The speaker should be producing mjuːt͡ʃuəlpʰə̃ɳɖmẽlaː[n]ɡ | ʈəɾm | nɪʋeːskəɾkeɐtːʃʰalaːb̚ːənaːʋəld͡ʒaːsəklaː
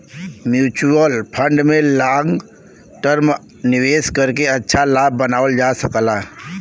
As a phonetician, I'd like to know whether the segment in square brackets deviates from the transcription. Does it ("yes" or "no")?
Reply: yes